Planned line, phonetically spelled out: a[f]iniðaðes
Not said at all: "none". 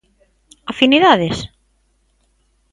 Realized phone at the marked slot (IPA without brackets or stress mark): f